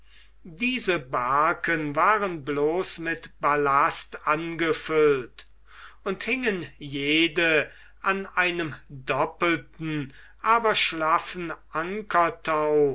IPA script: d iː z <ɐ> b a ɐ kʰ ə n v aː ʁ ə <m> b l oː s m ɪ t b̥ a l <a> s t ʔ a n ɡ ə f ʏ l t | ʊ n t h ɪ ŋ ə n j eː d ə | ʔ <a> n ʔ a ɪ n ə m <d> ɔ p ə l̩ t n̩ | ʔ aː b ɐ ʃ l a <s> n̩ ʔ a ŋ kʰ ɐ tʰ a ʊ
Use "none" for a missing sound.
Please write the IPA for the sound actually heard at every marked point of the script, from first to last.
ə, n, a, a, d, f

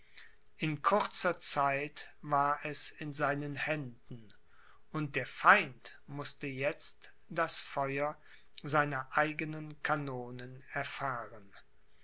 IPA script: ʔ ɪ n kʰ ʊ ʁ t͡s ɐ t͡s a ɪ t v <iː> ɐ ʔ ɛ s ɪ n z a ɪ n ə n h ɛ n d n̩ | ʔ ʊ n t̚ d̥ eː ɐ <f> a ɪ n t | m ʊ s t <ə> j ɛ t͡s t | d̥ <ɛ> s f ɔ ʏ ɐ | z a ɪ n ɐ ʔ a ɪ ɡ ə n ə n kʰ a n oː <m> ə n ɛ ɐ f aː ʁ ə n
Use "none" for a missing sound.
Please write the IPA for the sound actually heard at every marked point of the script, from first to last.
aː, f, ə, a, n

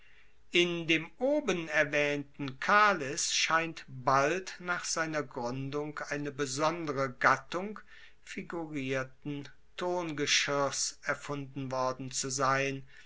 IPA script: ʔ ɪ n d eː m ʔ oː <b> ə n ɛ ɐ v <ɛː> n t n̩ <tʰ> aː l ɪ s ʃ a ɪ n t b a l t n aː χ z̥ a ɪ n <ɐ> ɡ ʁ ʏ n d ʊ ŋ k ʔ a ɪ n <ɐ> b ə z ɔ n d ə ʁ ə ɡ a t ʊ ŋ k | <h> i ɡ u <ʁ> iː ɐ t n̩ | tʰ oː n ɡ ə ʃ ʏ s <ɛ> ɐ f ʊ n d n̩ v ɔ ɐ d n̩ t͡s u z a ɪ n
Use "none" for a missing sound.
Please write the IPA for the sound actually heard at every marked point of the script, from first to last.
b, ɛː, kʰ, ɐ, ə, f, ʁ, ɛ

